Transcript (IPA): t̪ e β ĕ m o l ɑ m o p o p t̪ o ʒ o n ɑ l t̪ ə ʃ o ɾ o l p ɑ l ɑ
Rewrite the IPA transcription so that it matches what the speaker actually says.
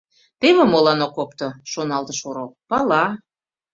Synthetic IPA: t̪ e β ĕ m o l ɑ n o k o p t̪ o ʃ o n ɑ l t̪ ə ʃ o ɾ o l p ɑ l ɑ